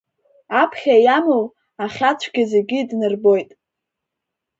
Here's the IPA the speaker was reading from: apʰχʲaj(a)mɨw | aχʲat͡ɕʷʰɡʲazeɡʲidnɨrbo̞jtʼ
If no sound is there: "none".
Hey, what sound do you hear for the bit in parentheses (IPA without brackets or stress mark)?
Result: a